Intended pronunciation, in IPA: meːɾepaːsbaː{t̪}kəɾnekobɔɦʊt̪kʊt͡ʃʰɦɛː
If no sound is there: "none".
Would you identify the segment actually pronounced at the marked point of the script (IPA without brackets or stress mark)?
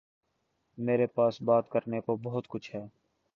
t̪